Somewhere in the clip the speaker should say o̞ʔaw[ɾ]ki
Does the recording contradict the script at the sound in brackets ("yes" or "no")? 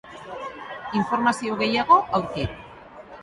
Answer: no